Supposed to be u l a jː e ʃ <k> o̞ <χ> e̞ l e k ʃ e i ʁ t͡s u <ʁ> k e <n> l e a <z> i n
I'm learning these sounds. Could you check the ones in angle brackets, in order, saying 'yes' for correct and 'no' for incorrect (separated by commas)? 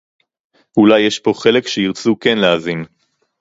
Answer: no, yes, no, yes, yes